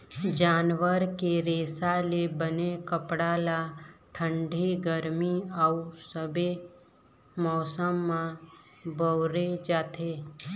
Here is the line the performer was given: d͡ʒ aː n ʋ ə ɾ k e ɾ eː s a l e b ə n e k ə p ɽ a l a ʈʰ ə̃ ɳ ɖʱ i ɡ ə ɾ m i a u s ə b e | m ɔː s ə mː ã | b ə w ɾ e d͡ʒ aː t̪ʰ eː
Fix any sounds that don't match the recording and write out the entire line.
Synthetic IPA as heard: d͡ʒ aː n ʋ ə ɾ k e ɾ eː s a l e b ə n e k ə p ɽ a l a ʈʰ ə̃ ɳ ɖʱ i ɡ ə ɾ m i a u s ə b e | m ɔː s ə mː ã | b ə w ɾ e d͡ʒ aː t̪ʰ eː